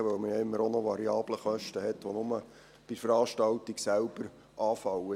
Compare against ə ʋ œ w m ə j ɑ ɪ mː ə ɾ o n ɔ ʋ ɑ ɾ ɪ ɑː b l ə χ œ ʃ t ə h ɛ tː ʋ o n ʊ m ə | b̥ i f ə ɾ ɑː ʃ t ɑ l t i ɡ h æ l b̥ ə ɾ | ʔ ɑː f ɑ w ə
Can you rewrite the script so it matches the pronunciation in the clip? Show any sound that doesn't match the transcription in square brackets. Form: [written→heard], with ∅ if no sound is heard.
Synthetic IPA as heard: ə ʋ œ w m ə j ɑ ɪ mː ə ɾ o n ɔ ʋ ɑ ɾ [ɪ→i] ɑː b l ə χ œ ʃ t ə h ɛ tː ʋ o n ʊ m ə | b̥ i f ə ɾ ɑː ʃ t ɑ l t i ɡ [h→s] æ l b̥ ə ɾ | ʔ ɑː f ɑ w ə

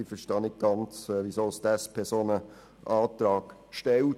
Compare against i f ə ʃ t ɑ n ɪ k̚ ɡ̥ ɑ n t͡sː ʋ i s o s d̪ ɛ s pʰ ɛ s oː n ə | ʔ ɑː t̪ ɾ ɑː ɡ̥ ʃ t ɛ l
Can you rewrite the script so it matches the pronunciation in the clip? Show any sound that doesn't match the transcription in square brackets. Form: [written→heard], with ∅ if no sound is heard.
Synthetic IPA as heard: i f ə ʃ t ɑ n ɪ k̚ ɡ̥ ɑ n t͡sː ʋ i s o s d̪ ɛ s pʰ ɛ s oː n ə | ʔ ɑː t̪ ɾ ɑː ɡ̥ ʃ t ɛ l

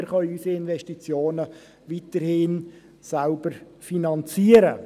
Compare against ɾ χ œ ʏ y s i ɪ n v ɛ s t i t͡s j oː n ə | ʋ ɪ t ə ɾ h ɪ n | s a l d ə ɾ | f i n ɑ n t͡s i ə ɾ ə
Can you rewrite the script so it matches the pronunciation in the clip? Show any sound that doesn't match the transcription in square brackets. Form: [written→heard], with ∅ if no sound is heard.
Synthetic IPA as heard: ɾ χ œ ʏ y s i ɪ n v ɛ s t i t͡s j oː n ə | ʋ [ɪ→i] t ə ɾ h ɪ n | s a l [d→b] ə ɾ | f i n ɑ n t͡s i ə ɾ ə

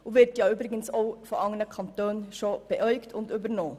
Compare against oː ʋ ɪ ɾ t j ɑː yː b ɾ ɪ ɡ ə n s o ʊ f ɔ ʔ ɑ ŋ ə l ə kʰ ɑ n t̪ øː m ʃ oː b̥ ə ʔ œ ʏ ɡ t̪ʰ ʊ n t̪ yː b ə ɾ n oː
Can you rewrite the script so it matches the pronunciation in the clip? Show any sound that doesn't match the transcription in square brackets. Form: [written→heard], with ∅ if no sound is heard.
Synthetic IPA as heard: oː ʋ ɪ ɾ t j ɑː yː b ɾ ɪ ɡ ə n s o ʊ f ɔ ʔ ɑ ŋ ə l ə kʰ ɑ n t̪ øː [m→n] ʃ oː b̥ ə ʔ œ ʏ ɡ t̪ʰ ʊ n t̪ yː b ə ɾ n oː

